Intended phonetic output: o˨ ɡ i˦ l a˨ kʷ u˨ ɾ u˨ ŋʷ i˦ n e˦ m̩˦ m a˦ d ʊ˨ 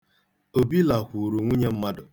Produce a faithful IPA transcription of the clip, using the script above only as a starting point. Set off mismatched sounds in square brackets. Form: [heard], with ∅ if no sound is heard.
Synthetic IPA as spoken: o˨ [b] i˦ l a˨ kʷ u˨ ɾ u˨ ŋʷ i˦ [ɲ] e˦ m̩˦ m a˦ d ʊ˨